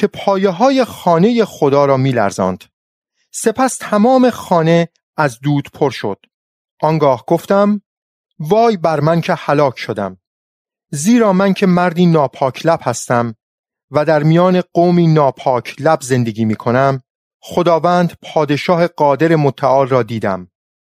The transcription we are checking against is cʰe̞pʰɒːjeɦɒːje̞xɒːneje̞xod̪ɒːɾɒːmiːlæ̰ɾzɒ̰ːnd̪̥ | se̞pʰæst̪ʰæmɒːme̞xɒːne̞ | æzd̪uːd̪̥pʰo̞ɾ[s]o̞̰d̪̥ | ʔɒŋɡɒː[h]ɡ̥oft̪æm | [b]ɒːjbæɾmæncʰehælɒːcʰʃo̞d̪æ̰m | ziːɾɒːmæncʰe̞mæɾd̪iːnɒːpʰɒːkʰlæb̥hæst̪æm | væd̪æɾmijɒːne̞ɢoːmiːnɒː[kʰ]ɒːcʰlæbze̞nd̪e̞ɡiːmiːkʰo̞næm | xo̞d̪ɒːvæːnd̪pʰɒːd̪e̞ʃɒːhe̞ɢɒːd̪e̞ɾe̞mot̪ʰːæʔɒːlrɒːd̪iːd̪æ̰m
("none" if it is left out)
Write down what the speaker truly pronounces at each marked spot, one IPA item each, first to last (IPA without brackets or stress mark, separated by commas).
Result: ʃ, h, v, pʰ